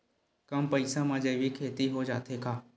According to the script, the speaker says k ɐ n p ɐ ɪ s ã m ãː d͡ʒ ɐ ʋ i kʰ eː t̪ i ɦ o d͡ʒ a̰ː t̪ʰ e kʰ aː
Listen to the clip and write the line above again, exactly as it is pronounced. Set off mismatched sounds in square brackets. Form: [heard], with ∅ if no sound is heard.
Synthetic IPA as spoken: k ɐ [m] p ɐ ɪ s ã m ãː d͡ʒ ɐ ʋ i kʰ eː t̪ i ɦ o d͡ʒ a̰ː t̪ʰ e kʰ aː